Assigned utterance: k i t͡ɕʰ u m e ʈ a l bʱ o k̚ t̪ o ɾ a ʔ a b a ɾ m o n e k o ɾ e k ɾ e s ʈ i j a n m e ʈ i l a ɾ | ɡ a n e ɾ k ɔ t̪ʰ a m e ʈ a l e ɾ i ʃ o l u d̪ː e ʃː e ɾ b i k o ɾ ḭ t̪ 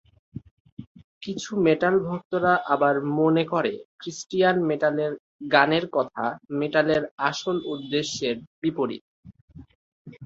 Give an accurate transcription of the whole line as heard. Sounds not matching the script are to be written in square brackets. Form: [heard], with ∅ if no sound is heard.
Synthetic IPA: k i t͡ɕʰ u m e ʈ a l bʱ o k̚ t̪ o ɾ a ʔ a b a ɾ m o n e k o ɾ e k ɾ [i] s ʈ i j a n m e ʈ [a] l [e] ɾ | ɡ a n e ɾ k ɔ t̪ʰ a m e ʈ a l e ɾ [a] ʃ o l u d̪ː e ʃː e ɾ b i [p] o ɾ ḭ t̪